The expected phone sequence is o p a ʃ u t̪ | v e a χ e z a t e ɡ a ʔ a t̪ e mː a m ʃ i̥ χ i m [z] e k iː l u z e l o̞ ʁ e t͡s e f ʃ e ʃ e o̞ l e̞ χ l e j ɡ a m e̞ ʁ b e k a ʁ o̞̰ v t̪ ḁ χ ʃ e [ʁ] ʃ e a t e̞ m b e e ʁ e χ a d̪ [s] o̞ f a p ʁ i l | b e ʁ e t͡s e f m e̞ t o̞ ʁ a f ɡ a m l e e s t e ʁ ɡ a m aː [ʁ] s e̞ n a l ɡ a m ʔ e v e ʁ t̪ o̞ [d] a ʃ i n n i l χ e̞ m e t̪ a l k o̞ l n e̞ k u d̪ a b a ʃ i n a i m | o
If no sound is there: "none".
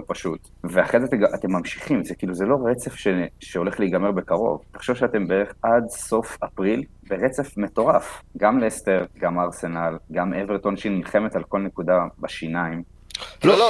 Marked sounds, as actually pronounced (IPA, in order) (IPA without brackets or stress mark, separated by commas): z, v, s, ʁ, n